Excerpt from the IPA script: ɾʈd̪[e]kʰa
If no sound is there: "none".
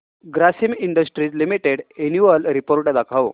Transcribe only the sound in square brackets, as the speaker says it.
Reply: a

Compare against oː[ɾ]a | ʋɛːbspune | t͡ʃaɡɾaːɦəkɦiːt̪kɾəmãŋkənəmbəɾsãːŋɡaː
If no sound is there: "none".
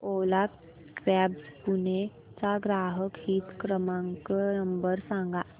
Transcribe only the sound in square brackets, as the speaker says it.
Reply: l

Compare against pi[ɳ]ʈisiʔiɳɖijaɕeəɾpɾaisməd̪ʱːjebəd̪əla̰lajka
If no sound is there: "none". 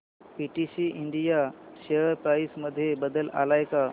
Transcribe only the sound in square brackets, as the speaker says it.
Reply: none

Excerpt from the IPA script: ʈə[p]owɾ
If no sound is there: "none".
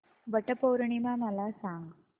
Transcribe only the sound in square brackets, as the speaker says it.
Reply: p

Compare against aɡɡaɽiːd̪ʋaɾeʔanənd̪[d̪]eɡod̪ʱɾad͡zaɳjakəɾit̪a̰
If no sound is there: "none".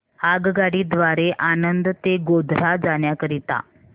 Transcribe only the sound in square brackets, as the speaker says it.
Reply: t̪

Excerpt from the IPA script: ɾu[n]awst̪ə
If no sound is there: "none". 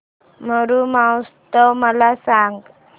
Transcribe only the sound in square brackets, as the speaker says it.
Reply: m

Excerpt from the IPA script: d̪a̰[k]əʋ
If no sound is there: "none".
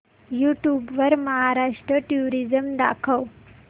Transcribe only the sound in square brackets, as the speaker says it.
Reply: kʰ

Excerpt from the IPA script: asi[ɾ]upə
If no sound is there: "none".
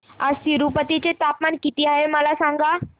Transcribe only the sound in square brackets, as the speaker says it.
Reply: ɾ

